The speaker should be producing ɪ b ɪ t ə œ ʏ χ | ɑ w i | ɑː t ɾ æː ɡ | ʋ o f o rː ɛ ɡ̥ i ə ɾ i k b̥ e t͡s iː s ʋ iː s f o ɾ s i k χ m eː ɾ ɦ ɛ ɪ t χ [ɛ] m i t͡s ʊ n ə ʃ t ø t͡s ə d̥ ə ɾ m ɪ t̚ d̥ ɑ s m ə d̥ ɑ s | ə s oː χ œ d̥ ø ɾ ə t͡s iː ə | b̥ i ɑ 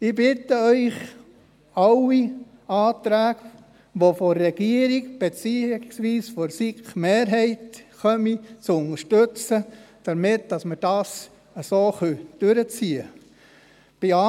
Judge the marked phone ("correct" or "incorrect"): incorrect